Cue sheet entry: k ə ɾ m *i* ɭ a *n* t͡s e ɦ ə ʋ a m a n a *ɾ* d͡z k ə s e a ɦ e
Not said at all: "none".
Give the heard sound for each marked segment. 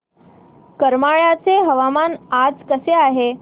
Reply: a, none, none

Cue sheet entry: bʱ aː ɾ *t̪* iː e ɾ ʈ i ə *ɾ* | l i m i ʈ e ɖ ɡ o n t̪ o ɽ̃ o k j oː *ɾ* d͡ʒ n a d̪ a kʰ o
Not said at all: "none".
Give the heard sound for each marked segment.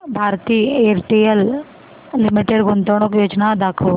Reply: t̪, l, none

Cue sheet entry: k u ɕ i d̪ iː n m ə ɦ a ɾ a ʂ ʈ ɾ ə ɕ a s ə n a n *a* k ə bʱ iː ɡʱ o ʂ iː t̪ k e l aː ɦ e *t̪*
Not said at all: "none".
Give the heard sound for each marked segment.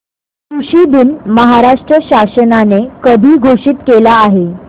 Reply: e, none

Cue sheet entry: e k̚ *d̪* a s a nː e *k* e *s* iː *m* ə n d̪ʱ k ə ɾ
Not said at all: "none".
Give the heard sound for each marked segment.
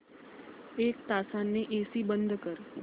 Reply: t̪, ʔ, s, b

